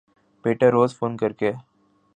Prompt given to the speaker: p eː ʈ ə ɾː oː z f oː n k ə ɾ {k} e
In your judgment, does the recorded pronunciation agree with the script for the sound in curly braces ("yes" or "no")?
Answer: yes